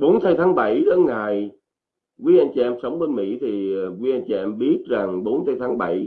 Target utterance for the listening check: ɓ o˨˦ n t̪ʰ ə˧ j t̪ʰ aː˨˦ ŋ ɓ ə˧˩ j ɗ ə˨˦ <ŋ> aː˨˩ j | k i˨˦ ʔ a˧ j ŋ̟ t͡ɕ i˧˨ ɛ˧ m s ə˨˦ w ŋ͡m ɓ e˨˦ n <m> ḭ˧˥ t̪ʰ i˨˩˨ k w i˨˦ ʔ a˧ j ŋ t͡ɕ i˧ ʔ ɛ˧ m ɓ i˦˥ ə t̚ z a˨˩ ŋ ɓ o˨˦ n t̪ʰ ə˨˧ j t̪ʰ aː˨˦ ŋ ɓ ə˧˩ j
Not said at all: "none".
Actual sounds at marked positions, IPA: ŋ, m

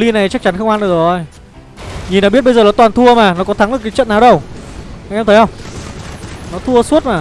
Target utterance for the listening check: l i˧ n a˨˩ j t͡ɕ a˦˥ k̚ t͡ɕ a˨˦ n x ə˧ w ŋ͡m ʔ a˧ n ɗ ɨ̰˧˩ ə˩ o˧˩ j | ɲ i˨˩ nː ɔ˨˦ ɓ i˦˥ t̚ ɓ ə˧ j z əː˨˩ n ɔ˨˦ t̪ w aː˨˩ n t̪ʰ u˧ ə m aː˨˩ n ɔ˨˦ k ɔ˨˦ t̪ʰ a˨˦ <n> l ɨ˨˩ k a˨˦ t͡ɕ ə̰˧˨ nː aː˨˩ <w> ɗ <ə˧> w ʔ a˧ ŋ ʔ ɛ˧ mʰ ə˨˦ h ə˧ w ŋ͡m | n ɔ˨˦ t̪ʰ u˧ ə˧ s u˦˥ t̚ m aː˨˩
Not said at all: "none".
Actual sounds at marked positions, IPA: ŋ, w, ə˧

